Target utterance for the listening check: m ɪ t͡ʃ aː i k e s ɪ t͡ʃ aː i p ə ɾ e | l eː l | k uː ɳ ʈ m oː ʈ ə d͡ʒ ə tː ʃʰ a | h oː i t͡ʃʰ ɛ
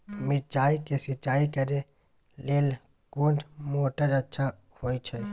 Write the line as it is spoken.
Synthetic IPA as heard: m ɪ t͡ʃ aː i k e s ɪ t͡ʃ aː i k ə ɾ e | l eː l | k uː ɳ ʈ m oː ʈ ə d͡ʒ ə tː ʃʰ a | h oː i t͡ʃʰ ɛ